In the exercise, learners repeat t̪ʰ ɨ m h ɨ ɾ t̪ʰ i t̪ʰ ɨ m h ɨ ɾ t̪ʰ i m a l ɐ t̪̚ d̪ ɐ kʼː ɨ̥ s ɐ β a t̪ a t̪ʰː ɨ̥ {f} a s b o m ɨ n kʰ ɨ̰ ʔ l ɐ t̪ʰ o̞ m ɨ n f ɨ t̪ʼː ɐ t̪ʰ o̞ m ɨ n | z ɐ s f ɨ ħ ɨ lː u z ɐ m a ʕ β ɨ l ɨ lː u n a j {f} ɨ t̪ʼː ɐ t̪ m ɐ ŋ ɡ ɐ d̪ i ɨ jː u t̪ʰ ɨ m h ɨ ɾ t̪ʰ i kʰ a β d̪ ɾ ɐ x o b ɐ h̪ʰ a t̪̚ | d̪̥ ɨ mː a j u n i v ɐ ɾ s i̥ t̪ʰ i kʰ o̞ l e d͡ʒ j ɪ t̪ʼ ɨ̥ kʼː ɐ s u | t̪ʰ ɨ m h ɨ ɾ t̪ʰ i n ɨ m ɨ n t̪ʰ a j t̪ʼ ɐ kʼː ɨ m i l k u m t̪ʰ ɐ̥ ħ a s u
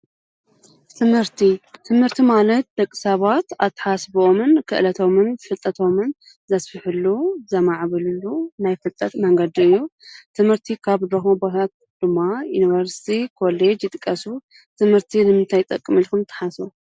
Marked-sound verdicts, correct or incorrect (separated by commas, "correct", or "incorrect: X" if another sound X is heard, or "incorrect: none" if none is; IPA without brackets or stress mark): incorrect: ħ, correct